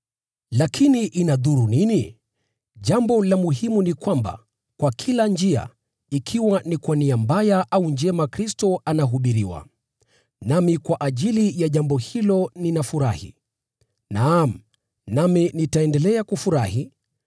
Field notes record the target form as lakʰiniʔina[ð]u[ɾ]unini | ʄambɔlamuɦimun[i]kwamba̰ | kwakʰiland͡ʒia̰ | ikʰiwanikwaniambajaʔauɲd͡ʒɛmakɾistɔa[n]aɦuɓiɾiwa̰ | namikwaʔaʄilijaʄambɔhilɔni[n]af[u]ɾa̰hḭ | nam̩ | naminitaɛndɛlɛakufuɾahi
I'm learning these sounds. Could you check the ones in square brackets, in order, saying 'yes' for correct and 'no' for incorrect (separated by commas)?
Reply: yes, yes, yes, yes, yes, yes